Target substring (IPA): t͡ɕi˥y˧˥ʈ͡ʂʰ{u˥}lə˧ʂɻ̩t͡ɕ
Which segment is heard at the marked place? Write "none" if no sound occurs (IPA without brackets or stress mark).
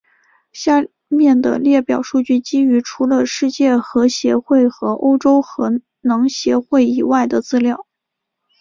u˧˥